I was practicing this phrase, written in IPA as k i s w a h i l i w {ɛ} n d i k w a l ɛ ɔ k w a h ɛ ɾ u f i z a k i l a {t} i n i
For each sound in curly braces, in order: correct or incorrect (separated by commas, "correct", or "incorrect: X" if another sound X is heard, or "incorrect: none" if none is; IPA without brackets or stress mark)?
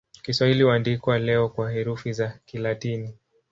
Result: incorrect: a, correct